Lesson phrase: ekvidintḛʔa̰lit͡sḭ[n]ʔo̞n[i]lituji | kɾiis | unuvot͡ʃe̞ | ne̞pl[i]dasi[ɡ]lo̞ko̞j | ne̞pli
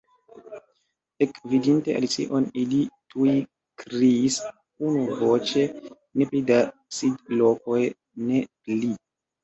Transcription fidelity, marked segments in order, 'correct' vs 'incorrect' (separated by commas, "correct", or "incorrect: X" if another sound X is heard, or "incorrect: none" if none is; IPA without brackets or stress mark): incorrect: none, correct, correct, incorrect: d